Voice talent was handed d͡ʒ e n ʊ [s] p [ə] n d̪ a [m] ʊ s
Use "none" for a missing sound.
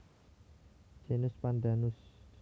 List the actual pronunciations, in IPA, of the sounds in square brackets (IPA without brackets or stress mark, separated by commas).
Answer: s, a, n